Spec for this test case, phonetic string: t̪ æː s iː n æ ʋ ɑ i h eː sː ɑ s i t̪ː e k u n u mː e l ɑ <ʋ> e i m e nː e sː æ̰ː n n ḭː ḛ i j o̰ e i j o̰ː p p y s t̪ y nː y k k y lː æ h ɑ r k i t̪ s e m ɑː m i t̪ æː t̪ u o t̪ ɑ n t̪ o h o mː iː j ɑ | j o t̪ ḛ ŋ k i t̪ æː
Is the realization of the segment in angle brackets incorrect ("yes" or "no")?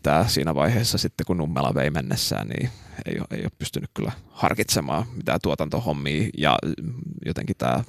no